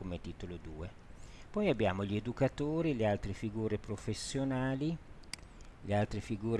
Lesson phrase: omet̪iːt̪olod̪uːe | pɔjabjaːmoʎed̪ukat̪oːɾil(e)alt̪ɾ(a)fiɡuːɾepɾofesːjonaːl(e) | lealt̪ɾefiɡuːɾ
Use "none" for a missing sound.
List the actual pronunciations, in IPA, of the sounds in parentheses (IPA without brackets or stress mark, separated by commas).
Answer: e, e, i